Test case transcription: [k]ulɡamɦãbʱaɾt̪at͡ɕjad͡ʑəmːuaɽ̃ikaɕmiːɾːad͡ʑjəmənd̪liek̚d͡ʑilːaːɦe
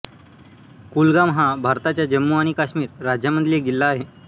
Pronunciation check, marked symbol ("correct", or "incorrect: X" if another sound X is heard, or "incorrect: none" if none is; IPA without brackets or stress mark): correct